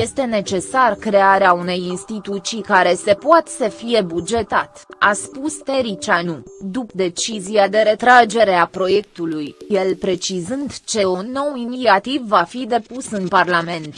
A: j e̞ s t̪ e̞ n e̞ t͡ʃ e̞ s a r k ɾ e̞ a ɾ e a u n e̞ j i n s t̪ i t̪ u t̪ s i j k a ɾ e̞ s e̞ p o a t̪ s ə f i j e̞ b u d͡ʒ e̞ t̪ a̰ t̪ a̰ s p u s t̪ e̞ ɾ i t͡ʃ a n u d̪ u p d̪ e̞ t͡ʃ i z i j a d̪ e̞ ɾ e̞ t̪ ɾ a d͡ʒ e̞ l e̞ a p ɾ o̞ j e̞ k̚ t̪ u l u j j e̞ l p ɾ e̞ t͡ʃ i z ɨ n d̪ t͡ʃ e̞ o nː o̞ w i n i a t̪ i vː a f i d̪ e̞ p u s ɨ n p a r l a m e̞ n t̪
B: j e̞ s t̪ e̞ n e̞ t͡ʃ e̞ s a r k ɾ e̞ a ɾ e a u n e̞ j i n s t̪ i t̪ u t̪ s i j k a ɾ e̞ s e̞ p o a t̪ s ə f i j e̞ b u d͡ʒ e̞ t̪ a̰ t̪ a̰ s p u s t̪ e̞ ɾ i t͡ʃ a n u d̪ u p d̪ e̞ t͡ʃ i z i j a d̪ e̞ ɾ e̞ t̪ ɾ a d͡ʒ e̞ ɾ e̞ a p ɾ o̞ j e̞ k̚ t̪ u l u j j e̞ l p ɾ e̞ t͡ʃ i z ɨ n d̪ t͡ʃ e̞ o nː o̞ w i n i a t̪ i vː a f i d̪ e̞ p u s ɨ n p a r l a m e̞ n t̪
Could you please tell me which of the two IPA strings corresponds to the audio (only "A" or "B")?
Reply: B